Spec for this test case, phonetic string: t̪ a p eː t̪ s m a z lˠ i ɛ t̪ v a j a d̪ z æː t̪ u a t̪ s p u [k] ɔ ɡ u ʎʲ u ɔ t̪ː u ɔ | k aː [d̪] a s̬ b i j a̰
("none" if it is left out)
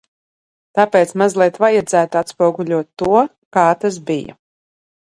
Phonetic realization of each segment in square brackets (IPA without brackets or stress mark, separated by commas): none, t̪